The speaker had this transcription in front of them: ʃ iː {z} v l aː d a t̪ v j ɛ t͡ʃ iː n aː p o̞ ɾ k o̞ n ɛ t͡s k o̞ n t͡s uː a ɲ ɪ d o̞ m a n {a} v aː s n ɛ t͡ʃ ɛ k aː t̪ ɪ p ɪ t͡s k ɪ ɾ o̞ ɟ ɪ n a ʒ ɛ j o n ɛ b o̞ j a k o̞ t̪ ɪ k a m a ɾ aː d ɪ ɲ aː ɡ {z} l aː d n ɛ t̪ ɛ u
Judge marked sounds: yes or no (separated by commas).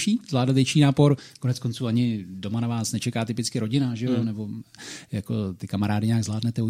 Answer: yes, yes, yes